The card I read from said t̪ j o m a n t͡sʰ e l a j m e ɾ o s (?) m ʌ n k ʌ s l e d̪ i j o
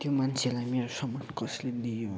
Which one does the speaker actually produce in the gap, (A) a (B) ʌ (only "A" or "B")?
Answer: B